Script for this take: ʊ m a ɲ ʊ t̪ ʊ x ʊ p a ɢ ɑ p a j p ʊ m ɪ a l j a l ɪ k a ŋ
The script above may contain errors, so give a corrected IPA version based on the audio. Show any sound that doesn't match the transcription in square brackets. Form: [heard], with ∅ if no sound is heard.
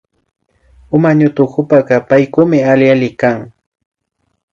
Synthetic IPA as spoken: ʊ m a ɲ ʊ t̪ ʊ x ʊ p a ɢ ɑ p a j [k] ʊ m ɪ a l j a l ɪ k a ŋ